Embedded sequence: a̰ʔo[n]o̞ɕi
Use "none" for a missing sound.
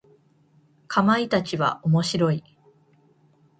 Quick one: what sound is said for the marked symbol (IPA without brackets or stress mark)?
m